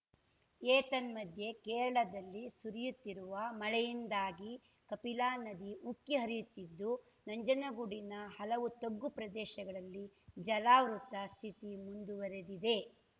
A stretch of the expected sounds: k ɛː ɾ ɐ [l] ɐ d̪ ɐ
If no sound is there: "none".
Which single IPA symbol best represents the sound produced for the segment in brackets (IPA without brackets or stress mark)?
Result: ɭ